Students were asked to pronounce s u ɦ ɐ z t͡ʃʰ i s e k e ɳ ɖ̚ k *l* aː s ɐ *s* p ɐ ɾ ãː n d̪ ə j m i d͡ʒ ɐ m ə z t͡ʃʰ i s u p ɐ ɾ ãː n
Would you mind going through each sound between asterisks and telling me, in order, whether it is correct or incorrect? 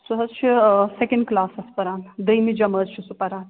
correct, correct

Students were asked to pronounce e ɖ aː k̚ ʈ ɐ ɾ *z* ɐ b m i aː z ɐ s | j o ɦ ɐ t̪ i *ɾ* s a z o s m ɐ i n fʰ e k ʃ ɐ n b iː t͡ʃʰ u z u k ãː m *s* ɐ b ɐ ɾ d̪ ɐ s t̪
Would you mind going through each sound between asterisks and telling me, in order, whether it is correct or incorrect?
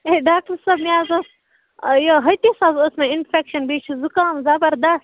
incorrect, incorrect, incorrect

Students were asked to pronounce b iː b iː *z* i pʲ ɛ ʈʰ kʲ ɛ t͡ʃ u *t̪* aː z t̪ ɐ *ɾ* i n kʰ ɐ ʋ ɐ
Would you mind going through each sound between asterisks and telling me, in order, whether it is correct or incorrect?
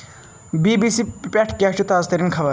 incorrect, correct, correct

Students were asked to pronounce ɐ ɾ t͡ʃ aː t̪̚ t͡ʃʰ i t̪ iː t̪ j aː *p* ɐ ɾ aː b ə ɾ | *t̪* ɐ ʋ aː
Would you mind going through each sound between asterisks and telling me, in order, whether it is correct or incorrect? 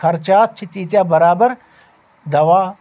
incorrect, incorrect

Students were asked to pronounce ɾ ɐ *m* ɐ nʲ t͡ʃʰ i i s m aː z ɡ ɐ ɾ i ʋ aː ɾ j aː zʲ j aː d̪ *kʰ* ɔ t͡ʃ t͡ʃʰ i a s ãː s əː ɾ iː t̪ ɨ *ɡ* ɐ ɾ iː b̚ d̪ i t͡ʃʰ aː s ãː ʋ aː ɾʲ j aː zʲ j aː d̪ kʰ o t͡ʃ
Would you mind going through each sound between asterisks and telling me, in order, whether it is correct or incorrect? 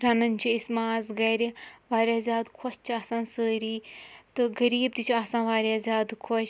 incorrect, correct, correct

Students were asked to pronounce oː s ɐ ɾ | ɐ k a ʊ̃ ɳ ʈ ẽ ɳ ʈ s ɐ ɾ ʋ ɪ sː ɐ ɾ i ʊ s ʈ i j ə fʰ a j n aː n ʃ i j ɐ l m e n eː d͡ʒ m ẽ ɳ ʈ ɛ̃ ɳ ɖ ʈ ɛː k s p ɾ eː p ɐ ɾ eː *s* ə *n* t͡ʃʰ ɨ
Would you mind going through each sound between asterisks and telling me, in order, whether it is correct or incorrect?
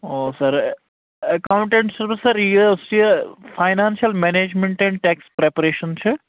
incorrect, correct

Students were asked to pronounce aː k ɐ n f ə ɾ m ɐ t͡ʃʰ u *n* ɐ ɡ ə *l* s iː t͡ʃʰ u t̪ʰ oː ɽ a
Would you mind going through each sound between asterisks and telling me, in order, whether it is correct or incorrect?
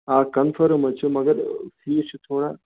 incorrect, incorrect

